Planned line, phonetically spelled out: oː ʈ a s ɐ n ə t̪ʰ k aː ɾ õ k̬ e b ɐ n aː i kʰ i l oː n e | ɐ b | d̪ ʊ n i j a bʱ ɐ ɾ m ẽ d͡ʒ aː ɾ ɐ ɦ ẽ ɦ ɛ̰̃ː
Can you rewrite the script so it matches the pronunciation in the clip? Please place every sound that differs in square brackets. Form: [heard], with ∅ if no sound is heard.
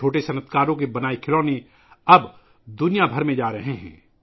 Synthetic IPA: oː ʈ [e] s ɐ n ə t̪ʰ k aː ɾ õ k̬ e b ɐ n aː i kʰ [ɪ] l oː n e | ɐ b | d̪ ʊ n i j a bʱ ɐ ɾ m ẽ d͡ʒ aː ɾ ɐ ɦ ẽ ɦ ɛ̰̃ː